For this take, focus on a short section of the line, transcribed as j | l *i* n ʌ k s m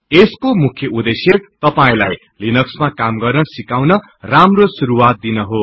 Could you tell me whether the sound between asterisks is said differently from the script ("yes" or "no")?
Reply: no